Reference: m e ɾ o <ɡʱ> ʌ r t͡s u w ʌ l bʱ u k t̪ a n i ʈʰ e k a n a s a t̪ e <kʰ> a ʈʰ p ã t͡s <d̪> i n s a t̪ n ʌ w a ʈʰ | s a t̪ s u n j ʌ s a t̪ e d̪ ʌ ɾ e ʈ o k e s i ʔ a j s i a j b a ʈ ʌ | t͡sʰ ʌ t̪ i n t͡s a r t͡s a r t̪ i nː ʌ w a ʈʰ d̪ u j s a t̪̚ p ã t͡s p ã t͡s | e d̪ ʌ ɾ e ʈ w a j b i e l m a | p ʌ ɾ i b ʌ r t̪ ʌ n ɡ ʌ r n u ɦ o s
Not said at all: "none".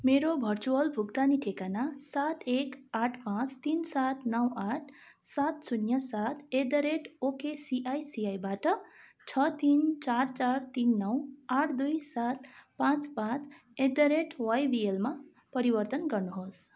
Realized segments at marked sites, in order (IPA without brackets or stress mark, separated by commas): bʱ, k, t̪